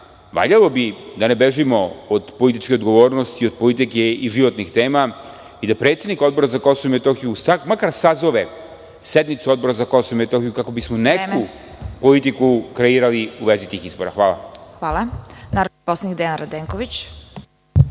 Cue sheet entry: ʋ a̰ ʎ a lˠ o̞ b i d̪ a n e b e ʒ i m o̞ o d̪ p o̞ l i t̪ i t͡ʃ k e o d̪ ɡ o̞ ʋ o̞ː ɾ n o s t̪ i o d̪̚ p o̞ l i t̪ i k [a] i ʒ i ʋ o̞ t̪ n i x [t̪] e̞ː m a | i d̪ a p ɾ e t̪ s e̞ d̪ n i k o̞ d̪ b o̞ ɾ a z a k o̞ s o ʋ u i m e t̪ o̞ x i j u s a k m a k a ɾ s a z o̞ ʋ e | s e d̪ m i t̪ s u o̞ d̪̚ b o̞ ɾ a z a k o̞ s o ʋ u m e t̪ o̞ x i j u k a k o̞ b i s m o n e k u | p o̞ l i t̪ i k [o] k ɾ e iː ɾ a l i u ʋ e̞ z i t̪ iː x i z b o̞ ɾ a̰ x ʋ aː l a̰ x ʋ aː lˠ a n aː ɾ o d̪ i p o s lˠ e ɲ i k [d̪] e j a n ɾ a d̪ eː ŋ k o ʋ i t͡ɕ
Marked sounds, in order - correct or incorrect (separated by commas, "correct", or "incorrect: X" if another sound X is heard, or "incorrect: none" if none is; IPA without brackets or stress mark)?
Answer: incorrect: e, correct, incorrect: u, correct